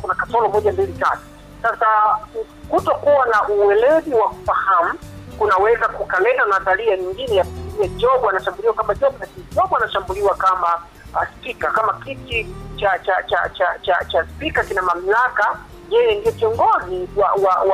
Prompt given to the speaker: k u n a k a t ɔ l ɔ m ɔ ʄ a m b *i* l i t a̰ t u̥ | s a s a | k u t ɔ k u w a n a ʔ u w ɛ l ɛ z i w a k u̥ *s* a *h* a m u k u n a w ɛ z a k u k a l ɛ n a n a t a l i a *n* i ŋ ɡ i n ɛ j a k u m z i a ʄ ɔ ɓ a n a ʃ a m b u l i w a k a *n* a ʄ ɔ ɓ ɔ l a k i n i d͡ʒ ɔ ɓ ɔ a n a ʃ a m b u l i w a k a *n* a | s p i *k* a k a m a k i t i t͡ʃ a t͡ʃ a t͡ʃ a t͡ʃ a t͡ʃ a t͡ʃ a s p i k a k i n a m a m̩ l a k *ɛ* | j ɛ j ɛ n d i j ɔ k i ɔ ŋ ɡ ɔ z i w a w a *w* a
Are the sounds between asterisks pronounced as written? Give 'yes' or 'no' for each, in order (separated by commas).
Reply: yes, no, yes, no, no, no, yes, no, yes